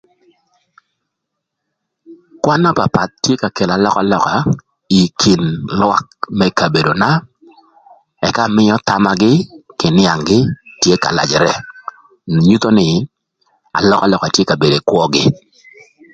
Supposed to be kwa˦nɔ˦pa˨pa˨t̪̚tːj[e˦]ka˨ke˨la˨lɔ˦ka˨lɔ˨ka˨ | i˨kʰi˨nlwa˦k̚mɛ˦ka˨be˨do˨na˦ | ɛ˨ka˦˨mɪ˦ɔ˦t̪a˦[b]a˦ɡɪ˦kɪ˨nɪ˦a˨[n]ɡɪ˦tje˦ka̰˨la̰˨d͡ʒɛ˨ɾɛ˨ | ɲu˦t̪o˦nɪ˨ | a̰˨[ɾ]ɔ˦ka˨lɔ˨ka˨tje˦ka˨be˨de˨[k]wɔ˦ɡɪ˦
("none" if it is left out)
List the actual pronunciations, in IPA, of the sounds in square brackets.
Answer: e˦, m, ŋ, l, k

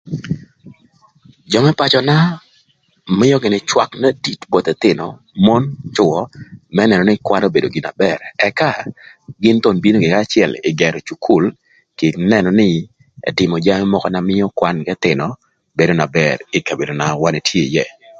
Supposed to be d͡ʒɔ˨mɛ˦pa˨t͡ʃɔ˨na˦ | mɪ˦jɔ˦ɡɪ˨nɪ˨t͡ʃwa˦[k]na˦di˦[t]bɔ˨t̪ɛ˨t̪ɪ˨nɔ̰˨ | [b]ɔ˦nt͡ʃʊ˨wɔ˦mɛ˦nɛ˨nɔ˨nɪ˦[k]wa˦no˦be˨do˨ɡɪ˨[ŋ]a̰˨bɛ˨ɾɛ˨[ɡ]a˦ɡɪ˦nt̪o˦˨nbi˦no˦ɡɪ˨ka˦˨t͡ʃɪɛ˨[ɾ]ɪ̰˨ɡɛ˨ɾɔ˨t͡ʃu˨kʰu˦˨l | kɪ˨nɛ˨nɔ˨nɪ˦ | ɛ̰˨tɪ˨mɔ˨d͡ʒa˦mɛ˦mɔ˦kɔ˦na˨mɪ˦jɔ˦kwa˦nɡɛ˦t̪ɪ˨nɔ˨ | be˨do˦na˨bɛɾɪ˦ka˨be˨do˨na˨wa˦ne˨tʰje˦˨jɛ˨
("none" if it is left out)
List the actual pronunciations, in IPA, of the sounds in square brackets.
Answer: k, t, m, k, n, k, l

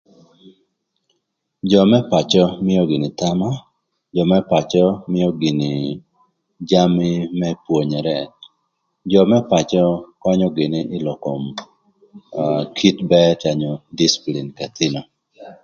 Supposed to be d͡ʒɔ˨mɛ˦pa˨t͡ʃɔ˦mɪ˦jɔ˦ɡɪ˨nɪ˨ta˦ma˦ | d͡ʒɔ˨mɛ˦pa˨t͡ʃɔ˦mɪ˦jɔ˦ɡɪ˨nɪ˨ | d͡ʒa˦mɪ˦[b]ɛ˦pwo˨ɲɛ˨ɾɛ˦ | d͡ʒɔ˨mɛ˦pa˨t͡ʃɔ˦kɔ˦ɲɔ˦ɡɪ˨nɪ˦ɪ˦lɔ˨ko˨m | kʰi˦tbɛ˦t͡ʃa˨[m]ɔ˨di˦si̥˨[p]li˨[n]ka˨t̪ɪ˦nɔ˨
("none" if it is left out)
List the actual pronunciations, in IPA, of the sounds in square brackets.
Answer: m, ɲ, p, n

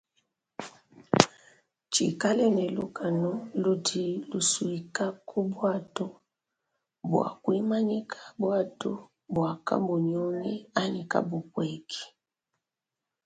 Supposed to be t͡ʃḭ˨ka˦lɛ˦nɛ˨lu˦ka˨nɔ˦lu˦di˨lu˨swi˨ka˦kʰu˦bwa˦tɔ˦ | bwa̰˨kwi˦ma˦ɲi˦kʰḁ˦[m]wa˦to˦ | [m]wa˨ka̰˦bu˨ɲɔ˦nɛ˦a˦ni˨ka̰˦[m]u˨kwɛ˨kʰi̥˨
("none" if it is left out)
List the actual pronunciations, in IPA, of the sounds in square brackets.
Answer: b, b, b

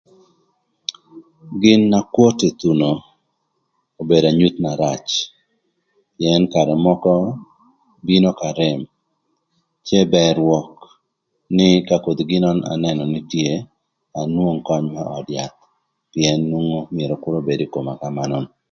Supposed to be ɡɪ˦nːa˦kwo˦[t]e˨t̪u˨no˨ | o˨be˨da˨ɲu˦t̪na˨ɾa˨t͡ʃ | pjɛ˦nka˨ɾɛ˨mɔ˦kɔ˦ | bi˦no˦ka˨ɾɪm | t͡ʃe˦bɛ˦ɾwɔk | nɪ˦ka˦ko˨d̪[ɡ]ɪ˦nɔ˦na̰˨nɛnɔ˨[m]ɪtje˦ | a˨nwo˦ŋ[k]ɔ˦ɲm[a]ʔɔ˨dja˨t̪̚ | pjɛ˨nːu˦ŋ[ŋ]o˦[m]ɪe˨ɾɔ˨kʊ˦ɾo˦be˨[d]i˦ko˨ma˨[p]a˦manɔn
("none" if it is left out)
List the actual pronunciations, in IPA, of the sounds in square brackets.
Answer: t, ɡ, n, k, a, ŋ, m, d, k

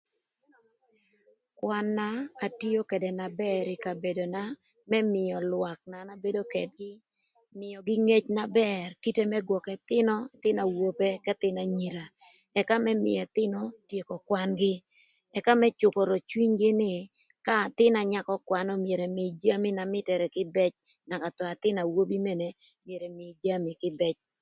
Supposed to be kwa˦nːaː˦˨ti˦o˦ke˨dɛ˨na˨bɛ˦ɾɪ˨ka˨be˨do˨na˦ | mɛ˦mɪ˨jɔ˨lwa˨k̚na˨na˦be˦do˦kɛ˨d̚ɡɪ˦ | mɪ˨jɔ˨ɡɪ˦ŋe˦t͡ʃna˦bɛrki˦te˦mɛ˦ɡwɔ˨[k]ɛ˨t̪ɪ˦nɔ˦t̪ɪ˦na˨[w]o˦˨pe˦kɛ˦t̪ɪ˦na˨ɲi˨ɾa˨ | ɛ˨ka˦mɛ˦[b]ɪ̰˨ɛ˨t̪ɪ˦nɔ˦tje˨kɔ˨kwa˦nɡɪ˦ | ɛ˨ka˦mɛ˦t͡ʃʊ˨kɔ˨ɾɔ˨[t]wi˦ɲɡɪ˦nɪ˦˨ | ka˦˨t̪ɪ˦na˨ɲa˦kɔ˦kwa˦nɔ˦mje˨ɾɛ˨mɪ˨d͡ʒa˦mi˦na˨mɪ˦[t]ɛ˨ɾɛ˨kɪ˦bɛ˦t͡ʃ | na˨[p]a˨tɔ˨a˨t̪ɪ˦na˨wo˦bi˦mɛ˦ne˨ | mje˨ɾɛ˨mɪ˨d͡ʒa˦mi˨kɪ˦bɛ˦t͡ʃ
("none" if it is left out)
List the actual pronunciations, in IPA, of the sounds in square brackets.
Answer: k, w, m, t͡ʃ, t, k

